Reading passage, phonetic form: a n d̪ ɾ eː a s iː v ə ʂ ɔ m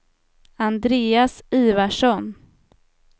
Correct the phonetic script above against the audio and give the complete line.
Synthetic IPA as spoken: a n d̪ ɾ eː a s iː v a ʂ ɔ n